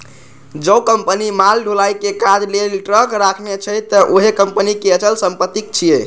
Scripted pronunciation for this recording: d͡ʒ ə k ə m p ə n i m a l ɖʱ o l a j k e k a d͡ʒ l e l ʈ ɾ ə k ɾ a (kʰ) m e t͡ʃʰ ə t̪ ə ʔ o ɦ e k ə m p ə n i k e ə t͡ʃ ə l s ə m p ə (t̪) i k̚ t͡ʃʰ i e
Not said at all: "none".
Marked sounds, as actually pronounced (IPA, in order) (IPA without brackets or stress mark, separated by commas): kʰ, t̪